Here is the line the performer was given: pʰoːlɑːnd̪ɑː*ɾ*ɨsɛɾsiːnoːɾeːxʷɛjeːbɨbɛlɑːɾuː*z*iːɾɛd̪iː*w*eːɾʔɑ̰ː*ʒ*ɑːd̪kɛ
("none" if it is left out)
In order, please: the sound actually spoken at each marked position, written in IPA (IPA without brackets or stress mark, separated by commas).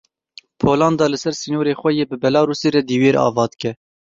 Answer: l, s, w, v